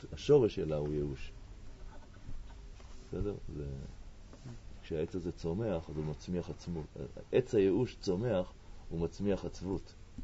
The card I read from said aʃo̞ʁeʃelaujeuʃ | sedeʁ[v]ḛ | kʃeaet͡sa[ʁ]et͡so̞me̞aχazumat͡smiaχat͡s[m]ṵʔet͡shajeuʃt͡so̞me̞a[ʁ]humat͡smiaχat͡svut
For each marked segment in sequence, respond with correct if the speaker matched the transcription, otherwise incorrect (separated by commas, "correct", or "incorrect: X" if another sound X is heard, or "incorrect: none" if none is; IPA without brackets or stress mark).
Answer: incorrect: z, incorrect: z, correct, incorrect: χ